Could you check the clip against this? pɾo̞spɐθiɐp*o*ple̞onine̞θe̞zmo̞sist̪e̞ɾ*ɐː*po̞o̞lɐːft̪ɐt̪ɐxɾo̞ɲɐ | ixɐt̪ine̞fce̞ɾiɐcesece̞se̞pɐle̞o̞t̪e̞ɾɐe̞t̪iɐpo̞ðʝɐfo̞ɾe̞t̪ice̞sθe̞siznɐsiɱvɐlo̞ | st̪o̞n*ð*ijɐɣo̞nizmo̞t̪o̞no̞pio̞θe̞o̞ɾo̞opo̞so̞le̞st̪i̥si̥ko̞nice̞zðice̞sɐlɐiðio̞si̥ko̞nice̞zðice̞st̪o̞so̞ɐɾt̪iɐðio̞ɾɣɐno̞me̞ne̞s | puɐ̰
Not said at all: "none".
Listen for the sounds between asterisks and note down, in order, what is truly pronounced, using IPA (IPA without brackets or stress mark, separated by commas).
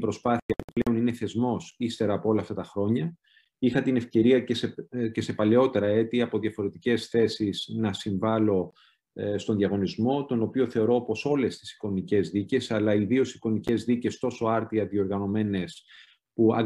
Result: u, ɐː, ð